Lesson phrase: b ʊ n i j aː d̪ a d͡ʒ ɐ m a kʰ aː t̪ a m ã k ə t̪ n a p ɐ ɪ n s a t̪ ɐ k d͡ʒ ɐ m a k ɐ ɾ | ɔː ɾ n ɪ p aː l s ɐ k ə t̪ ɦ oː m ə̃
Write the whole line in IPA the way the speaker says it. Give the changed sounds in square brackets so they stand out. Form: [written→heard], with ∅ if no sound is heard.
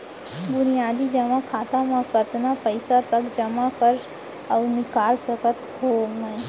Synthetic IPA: b ʊ n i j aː d̪ [a→i] d͡ʒ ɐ m a kʰ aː t̪ a m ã k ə t̪ n a p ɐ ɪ [n→∅] s a t̪ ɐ k d͡ʒ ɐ m a k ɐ ɾ | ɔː ɾ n ɪ [p→k] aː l s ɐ k ə t̪ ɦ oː m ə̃